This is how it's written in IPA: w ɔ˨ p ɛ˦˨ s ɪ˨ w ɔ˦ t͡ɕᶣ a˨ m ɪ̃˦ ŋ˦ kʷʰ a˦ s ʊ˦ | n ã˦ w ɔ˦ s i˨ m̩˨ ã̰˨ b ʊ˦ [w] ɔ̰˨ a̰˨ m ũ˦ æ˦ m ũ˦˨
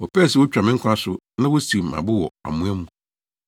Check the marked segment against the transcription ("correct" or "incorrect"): correct